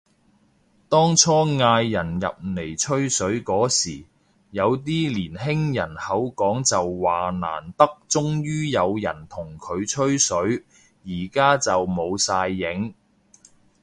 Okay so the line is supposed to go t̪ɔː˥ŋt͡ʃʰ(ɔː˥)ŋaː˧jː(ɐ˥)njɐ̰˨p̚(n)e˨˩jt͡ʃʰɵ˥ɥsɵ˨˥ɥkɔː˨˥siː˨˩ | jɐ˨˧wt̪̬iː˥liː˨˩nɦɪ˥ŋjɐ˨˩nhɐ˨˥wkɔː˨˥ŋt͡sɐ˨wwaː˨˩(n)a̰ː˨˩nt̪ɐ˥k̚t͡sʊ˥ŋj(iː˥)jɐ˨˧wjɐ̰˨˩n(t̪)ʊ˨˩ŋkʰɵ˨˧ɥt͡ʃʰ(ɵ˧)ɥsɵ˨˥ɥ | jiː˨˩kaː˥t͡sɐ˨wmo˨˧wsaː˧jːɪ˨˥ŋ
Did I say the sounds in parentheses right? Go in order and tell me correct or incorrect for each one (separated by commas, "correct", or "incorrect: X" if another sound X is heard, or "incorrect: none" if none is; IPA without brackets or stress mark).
correct, incorrect: ɐ˨˩, correct, correct, incorrect: yː˥, incorrect: t̪ʰ, incorrect: ɵ˥